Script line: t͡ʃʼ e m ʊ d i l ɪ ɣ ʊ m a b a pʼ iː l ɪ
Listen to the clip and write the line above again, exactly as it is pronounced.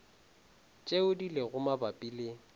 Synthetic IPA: t͡ʃʼ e ʊ d i l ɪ ɣ ʊ m a b a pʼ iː l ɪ